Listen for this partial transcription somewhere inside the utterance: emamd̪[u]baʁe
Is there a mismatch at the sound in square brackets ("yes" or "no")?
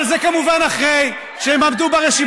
no